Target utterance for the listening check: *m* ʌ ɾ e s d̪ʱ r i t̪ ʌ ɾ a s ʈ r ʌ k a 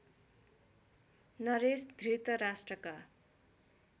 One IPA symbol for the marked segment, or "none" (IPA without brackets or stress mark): n